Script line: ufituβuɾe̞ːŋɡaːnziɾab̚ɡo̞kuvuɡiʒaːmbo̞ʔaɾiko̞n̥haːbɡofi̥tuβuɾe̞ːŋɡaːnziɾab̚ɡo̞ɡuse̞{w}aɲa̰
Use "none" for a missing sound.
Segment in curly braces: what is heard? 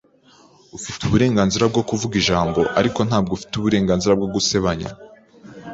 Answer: β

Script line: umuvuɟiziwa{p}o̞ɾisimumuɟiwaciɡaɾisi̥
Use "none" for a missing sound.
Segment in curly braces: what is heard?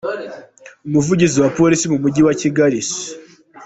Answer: p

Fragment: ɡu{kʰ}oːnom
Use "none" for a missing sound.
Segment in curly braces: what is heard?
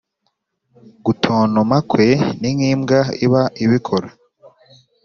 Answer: tʰ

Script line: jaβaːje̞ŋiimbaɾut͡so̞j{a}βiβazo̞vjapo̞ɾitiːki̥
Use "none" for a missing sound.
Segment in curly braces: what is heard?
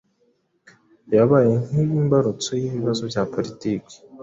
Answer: i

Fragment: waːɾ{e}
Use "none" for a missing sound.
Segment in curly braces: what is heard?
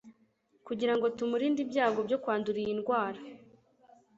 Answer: a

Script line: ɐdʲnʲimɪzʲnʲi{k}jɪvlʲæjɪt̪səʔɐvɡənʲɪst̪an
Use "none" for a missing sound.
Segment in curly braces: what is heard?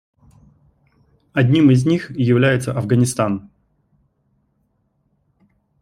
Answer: x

